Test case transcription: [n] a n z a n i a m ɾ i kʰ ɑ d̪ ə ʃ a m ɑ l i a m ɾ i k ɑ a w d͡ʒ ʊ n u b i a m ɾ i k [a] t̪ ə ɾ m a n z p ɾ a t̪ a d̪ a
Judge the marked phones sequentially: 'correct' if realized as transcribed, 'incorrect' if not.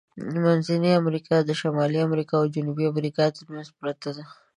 incorrect, incorrect

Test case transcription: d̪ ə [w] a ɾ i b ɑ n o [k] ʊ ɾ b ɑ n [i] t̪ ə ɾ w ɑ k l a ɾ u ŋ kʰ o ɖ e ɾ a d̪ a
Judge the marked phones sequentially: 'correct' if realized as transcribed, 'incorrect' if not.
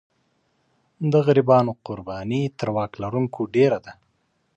incorrect, incorrect, correct

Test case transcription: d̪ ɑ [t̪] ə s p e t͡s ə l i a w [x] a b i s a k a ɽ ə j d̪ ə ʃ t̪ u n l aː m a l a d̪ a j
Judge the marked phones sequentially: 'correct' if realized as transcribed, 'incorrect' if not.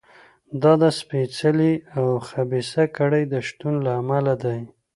incorrect, correct

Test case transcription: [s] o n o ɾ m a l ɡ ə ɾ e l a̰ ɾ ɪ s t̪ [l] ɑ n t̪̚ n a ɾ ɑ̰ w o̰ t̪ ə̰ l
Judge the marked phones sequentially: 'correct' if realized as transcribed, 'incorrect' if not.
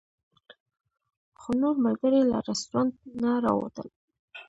incorrect, incorrect

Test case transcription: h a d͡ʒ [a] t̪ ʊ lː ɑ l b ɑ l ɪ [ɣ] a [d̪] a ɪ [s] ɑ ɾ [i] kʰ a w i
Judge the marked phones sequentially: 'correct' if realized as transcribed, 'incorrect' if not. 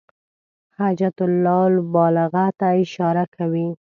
correct, correct, incorrect, incorrect, incorrect

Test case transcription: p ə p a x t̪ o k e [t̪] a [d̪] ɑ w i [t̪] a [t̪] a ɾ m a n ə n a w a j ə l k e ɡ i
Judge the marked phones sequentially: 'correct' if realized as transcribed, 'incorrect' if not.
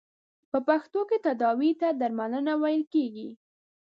correct, correct, correct, incorrect

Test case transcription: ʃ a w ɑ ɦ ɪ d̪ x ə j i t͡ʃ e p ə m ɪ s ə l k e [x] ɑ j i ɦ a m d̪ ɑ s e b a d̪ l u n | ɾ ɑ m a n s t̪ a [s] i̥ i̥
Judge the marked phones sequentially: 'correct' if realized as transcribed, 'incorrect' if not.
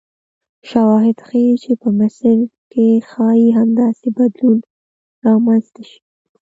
correct, incorrect

